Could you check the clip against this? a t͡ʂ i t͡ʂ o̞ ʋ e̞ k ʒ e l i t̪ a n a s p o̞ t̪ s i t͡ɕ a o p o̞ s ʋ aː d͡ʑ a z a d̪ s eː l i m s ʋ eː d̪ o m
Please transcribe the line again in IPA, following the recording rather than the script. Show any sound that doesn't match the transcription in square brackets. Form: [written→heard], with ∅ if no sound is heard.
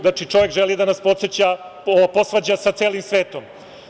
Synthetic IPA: a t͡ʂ i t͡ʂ o̞ ʋ e̞ k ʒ e l i [t̪→d̪] a n a s p o̞ t̪ s [i→e] t͡ɕ a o p o̞ s ʋ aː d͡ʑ a [z→s] a [d̪→t̪] s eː l i m s ʋ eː [d̪→t̪] o m